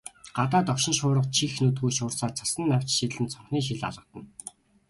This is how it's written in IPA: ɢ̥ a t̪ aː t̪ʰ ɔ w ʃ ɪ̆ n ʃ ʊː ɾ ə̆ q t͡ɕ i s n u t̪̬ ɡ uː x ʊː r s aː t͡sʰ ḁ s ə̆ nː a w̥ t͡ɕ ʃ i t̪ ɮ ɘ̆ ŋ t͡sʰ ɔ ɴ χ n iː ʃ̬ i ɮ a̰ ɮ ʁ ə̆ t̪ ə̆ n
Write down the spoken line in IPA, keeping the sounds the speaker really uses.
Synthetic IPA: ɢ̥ a t̪ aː t̪ ɔ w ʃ ɪ̆ n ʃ ʊː ɾ ə̆ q t͡ɕʰ i x n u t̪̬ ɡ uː ʃ ʊː r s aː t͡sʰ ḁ s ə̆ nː a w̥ t͡ɕ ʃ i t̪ ɮ ɘ̆ n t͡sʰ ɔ ɴ χ n iː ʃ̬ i ɮ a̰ ɮ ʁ ə̆ t̪ ə̆ n